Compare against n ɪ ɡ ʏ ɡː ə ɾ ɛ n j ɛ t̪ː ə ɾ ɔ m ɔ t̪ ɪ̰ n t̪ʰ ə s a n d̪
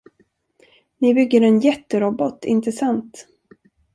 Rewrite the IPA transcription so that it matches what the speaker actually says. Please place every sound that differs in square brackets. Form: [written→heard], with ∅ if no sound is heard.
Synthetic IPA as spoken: n ɪ [ɡ→b] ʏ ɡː ə ɾ ɛ n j ɛ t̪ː ə ɾ ɔ [m→b] ɔ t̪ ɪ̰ n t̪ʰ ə s a n [d̪→t̪]

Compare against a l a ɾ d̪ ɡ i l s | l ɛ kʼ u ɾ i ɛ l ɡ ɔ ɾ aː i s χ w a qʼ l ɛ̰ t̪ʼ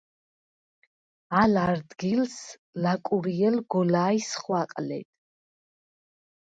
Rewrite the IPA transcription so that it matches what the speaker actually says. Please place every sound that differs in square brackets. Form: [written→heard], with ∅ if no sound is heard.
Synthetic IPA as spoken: a l a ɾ d̪ ɡ i l s | l [ɛ→a] kʼ u ɾ i ɛ l ɡ ɔ [ɾ→l] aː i s χ w a qʼ l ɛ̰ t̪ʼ

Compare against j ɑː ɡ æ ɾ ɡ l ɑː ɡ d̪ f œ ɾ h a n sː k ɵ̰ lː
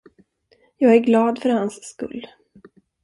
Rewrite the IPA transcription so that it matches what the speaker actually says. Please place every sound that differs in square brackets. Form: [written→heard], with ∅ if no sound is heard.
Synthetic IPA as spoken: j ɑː ɡ æ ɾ ɡ l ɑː [ɡ→∅] d̪ f œ ɾ h a n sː k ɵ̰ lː

